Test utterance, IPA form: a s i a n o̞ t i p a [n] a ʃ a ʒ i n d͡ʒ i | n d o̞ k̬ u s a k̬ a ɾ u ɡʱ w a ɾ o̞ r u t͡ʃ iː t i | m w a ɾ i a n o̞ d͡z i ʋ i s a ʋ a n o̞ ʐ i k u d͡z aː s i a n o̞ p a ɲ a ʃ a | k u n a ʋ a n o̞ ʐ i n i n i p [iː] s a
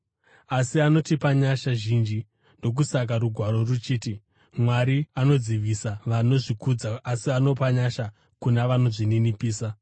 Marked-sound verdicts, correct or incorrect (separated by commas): incorrect, correct